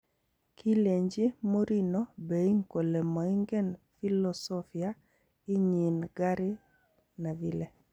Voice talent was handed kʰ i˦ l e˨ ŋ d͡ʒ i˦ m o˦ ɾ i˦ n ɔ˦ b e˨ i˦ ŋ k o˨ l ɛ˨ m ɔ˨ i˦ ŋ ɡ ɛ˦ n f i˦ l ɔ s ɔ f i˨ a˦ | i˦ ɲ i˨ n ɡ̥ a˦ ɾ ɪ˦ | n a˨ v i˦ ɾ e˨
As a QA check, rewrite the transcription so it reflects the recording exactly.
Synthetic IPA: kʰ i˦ l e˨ ɲ d͡ʒ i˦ m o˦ ɾ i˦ n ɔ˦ b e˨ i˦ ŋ k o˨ l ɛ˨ m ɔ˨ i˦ ŋ ɡ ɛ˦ n f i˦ l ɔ s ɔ f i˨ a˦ | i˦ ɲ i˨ n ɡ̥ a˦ ɾ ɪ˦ | n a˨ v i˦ l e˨